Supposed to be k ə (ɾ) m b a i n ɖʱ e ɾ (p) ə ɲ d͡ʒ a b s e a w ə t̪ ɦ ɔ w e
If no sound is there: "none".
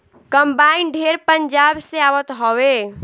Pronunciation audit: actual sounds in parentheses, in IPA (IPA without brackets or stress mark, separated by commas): none, p